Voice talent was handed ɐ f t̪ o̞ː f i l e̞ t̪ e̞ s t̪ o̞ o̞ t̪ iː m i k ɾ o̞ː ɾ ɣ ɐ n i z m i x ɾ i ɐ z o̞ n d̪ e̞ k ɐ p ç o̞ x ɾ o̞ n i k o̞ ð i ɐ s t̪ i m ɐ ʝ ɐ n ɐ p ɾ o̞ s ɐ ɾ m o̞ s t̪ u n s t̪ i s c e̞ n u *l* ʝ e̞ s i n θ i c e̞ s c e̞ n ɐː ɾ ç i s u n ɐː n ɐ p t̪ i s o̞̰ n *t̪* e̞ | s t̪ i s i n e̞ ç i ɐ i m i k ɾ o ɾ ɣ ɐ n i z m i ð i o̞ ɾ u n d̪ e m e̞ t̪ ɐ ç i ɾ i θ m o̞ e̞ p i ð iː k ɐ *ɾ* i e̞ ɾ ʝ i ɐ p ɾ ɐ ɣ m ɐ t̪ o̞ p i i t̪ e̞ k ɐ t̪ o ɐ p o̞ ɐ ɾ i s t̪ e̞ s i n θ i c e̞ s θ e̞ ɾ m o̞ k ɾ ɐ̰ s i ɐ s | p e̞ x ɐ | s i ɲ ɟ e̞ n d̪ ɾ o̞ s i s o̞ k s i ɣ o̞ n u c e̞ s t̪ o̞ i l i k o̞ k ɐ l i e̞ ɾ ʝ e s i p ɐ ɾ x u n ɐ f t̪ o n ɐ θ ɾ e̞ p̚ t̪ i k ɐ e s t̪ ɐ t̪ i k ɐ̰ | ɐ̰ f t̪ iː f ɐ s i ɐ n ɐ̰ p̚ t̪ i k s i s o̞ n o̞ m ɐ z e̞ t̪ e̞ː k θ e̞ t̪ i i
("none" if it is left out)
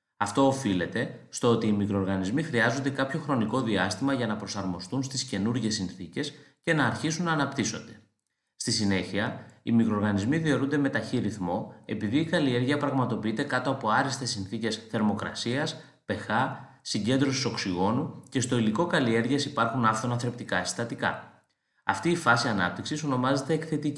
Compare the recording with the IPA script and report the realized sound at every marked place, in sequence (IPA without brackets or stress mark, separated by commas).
ɾ, d̪, l